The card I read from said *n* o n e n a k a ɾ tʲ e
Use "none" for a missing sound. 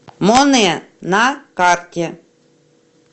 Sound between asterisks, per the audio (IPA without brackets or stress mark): m